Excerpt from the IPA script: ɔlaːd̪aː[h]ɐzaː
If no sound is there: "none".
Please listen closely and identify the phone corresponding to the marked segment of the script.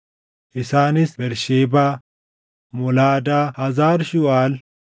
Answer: h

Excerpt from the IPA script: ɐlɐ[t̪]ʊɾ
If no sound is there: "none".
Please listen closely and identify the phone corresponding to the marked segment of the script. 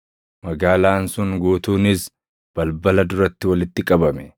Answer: d̪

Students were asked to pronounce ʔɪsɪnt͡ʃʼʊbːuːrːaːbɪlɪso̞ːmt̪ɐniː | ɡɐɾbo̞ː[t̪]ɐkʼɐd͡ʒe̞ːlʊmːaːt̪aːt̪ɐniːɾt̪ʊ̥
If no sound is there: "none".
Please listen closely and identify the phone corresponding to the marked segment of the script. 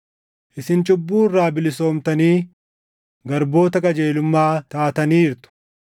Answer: t̪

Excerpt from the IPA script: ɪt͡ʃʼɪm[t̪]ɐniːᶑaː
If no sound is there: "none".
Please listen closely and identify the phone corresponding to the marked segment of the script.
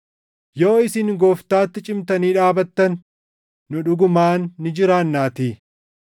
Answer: t̪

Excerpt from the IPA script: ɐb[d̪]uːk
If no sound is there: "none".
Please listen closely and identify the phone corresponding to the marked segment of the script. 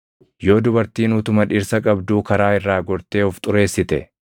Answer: d̪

